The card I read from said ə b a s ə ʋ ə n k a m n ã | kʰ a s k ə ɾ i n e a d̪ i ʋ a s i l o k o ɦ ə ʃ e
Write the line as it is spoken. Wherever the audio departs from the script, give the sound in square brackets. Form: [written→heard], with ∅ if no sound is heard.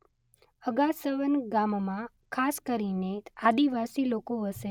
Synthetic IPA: ə [b→ɡ] a s ə ʋ ə n [k→ɡ] a m [n→m] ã | kʰ a s k ə ɾ i n e a d̪ i ʋ a s i l o k o ɦ ə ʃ e